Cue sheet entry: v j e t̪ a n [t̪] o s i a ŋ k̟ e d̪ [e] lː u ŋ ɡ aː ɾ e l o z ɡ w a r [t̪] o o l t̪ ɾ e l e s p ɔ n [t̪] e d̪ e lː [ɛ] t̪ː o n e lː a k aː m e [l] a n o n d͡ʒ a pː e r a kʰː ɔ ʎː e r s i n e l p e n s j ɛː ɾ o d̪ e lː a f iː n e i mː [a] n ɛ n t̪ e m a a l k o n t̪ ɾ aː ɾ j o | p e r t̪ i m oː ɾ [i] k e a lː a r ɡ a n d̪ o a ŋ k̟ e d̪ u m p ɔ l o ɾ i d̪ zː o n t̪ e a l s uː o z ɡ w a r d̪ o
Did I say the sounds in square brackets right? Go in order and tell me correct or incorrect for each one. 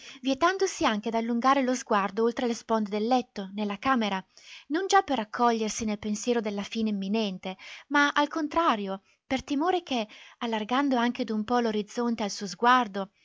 incorrect: d̪, incorrect: a, incorrect: d̪, incorrect: d̪, correct, incorrect: ɾ, incorrect: i, incorrect: e

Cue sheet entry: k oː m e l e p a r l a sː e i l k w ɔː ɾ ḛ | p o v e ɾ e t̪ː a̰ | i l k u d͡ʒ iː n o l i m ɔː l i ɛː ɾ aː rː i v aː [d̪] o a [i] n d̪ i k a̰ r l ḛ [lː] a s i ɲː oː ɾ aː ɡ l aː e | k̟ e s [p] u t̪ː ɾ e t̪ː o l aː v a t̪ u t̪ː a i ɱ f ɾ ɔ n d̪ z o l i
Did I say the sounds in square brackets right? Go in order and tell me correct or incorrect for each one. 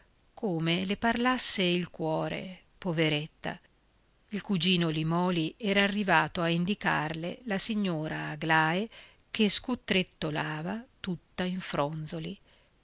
incorrect: t̪, correct, incorrect: l, incorrect: k

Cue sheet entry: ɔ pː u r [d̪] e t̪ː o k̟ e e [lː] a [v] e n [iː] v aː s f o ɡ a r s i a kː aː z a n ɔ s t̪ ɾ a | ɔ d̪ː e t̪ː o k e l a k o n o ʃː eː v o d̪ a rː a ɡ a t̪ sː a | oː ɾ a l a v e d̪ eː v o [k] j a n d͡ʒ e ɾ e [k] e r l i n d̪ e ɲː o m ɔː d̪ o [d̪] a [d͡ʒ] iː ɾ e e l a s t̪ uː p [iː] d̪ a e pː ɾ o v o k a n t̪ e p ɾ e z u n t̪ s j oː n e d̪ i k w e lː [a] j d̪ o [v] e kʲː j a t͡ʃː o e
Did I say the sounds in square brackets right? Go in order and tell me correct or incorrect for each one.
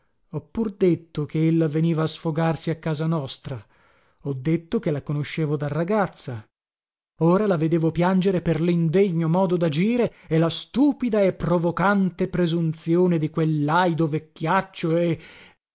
correct, correct, correct, correct, incorrect: p, incorrect: p, correct, correct, incorrect: i, correct, correct

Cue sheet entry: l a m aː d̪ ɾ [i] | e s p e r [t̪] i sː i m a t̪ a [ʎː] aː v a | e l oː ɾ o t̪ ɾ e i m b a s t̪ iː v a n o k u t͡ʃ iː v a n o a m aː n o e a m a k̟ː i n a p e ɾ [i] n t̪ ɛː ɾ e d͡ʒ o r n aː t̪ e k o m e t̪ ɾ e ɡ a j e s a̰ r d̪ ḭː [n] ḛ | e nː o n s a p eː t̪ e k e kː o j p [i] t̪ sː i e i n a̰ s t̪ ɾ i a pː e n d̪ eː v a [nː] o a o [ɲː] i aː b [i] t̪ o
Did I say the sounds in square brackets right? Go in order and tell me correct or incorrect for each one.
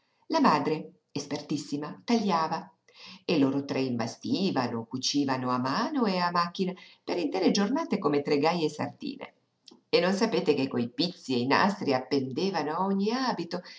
incorrect: e, correct, correct, correct, correct, correct, incorrect: n, correct, correct

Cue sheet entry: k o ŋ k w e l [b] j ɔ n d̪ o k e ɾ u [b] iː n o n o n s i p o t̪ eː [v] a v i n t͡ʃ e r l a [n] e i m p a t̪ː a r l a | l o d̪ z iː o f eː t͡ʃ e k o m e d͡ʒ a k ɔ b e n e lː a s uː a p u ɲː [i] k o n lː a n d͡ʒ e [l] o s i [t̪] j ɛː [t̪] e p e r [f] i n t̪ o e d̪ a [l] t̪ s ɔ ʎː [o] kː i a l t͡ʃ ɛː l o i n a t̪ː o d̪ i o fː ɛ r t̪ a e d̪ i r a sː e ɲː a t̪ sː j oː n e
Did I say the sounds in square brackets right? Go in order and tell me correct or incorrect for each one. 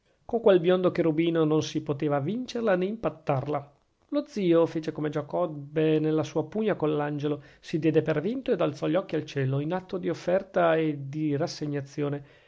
correct, correct, correct, correct, incorrect: a, correct, incorrect: d̪, incorrect: d̪, incorrect: v, correct, incorrect: ɔ

